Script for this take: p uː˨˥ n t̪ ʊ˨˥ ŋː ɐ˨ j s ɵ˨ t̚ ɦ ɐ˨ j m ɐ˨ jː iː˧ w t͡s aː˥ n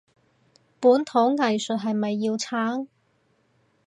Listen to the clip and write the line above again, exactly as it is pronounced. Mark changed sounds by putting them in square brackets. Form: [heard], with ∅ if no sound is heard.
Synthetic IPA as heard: p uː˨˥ n [t̪ʰ] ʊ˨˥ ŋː ɐ˨ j s ɵ˨ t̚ ɦ ɐ˨ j m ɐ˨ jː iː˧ w [t͡sʰ] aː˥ [ŋ]